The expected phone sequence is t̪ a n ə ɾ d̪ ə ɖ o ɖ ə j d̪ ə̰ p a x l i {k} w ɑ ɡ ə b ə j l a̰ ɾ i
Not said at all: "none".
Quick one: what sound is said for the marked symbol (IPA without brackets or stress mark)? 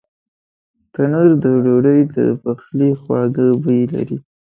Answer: x